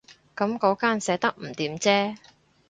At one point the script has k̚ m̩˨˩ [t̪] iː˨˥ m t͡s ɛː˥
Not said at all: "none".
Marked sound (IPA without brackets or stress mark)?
t̪